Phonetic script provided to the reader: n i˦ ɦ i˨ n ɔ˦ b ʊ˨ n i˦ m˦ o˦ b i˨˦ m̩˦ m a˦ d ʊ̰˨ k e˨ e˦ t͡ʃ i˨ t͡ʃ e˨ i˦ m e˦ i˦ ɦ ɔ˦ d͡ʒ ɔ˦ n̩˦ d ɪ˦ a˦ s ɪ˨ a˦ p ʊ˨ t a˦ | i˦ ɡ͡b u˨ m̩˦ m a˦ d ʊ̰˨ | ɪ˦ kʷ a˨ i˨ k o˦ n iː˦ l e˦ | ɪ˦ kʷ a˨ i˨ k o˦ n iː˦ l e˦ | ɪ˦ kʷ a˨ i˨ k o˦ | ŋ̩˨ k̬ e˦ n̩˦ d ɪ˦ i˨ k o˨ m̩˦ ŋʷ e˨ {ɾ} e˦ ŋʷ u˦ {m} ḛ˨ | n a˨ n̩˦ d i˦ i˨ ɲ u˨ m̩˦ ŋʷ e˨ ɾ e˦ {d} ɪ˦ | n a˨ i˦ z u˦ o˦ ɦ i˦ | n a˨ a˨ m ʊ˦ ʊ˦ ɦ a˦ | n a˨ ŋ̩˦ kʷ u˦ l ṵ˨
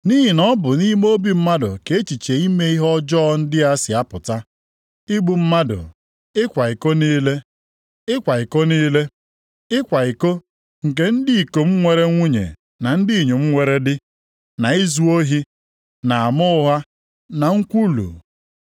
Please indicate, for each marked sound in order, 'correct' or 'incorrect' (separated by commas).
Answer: correct, incorrect, correct